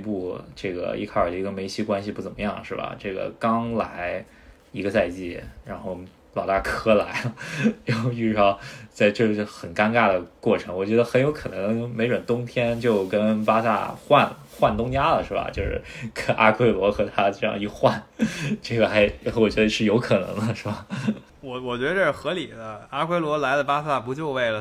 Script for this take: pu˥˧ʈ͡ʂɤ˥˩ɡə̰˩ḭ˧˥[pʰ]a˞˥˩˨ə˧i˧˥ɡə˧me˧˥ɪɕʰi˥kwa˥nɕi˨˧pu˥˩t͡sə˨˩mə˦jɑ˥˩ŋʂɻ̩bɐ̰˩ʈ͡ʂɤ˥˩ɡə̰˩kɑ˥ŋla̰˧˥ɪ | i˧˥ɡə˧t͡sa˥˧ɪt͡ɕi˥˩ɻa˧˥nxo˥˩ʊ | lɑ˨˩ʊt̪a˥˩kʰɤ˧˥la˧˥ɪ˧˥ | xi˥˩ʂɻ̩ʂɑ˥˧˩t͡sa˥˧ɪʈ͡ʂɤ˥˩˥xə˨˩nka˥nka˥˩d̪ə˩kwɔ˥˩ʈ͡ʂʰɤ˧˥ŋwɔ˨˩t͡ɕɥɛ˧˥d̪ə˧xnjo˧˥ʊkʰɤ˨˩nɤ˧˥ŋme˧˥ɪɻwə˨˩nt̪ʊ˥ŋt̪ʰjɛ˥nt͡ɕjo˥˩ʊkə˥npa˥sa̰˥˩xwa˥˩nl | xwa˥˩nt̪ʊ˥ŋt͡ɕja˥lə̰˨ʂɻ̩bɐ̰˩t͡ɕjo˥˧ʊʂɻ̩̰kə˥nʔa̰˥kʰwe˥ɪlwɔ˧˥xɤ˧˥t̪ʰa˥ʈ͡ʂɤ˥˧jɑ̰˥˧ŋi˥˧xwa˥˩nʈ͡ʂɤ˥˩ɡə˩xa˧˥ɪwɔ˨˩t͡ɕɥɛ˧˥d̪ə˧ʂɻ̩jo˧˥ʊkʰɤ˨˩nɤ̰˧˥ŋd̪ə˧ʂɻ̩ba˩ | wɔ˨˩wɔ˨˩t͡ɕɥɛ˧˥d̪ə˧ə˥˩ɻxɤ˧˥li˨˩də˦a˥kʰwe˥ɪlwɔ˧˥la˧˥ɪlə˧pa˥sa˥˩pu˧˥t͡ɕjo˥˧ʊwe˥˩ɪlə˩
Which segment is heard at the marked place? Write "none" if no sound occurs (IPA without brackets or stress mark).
kʰ